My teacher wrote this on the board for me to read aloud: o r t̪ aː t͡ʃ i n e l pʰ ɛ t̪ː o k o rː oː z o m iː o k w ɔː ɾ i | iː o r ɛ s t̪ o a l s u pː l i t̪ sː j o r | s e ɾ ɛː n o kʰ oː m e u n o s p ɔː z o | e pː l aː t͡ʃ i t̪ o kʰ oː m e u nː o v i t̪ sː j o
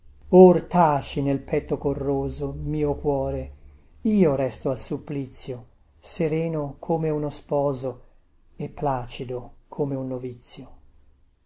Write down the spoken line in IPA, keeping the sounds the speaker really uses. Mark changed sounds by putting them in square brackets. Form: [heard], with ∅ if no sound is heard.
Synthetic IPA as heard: o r t̪ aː t͡ʃ i n e l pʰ ɛ t̪ː o k o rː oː z o m iː o k w ɔː ɾ [e] | iː o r ɛ s t̪ o a l s u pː l i t̪ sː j o [∅] | s e ɾ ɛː n o kʰ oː m e u n o s p ɔː z o | e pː l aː t͡ʃ i [d̪] o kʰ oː m e u nː o v i t̪ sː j o